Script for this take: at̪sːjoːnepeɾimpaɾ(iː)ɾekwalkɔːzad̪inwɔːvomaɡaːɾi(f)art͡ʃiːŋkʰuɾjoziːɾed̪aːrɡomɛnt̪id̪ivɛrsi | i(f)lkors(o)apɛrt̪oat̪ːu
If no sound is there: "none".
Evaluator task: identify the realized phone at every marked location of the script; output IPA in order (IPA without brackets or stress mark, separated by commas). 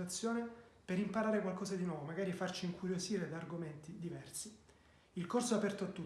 aː, f, none, o